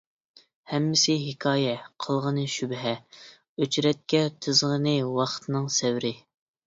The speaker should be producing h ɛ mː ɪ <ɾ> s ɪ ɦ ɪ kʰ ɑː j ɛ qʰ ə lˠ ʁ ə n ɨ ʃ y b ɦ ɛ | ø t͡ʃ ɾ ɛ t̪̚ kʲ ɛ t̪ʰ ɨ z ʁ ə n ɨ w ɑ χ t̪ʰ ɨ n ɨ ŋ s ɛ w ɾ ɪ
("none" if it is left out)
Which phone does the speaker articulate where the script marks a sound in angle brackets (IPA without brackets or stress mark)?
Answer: none